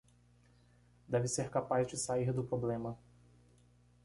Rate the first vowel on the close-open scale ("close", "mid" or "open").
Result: mid